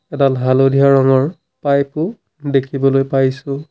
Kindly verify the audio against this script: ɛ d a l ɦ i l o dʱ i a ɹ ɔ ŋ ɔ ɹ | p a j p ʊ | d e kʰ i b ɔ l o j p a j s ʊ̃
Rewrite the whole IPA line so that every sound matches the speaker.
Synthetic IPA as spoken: ɛ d a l ɦ a l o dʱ i a ɹ ɔ ŋ ɔ ɹ | p a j p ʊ | d e kʰ i b ɔ l o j p a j s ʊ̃